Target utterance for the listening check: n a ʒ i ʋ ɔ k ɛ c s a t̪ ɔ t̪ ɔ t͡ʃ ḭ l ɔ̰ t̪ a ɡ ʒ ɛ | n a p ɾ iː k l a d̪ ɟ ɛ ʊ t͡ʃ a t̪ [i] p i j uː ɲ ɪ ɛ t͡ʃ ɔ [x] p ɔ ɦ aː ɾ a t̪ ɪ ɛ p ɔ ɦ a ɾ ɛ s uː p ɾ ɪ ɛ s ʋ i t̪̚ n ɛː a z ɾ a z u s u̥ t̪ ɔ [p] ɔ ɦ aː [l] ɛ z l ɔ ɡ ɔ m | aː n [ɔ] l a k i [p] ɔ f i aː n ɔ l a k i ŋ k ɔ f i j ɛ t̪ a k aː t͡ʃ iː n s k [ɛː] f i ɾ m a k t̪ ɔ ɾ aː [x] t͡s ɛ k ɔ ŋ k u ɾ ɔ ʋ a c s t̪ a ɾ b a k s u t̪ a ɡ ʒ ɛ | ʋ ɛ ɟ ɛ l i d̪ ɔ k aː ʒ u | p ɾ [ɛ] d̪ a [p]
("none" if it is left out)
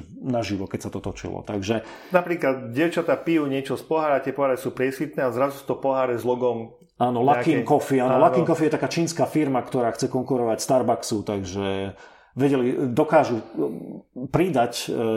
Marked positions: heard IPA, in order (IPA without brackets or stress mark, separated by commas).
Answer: a, s, p, ɾ, ɔ, k, aː, x, i, c